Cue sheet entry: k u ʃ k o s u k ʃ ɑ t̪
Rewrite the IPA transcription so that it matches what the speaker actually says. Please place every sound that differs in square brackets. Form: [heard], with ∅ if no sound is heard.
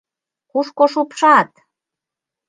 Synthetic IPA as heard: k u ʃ k o [ʃ] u [p] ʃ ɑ t̪